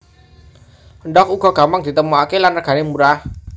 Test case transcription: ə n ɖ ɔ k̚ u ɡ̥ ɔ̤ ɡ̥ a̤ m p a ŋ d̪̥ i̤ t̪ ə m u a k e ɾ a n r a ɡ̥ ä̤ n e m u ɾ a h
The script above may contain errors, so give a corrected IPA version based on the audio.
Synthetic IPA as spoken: ə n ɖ ɔ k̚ u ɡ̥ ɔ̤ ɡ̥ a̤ m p a ŋ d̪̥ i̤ t̪ ə m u a k e l a n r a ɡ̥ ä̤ n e m u ɾ a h